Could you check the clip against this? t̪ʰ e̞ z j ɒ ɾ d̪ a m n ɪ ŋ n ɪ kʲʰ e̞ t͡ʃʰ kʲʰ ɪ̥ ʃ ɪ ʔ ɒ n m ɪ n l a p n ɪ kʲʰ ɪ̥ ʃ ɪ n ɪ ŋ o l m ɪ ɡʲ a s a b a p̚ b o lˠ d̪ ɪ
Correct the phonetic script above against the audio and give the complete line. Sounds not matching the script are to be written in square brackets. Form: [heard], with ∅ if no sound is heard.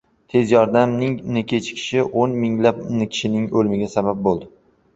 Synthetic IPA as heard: t̪ʰ e̞ z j ɒ ɾ d̪ a m n ɪ ŋ n ɪ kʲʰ e̞ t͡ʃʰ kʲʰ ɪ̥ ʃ ɪ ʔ [o] n m ɪ [ŋ] l a p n ɪ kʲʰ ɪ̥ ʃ ɪ n ɪ ŋ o l m ɪ ɡʲ a s a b a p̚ b o lˠ d̪ ɪ